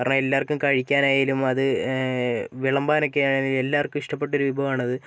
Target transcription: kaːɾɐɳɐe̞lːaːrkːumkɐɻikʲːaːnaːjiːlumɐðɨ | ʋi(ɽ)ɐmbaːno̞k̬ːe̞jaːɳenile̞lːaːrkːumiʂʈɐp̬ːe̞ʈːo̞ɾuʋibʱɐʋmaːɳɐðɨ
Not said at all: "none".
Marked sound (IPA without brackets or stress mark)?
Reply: ɭ